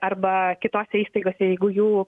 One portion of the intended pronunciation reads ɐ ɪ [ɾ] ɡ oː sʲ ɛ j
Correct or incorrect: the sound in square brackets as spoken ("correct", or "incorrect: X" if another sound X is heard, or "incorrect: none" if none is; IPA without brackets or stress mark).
incorrect: none